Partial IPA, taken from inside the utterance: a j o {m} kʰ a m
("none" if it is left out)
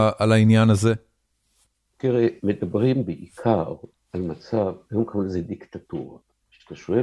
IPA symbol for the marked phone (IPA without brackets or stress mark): m